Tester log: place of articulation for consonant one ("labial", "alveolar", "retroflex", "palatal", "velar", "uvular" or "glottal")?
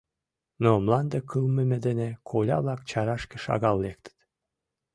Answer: alveolar